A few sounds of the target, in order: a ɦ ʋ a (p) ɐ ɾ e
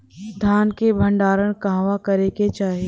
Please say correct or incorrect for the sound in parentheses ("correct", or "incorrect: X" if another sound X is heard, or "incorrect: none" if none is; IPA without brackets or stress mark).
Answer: incorrect: k